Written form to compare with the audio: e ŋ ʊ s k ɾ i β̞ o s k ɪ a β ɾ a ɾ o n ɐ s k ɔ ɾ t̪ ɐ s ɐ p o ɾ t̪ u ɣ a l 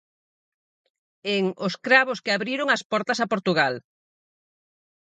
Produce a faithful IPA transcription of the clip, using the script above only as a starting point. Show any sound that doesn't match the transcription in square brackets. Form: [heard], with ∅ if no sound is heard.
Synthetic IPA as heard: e ŋ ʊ s k ɾ [a] β̞ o s k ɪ a β ɾ [i] ɾ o [ŋ] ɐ s [p] ɔ ɾ t̪ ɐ s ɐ p o ɾ t̪ u ɣ a l